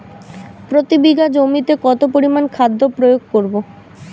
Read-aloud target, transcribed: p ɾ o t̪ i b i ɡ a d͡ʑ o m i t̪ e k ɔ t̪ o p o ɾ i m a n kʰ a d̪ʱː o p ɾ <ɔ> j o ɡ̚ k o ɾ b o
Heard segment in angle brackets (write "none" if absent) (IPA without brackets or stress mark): o